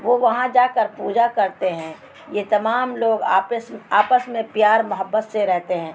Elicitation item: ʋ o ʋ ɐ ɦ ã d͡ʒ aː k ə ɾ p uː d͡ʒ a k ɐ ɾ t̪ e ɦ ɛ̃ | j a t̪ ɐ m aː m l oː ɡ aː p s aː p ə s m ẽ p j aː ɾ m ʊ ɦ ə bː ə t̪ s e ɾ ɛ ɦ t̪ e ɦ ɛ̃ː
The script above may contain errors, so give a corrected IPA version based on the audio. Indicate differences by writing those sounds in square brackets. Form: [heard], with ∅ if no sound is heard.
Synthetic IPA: ʋ o ʋ ɐ ɦ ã d͡ʒ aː k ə ɾ p uː d͡ʒ a k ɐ ɾ t̪ e ɦ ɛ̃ | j [e] t̪ ɐ m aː m l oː ɡ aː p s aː p ə s m ẽ p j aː ɾ m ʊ ɦ ə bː ə t̪ s e ɾ ɛ ɦ t̪ e ɦ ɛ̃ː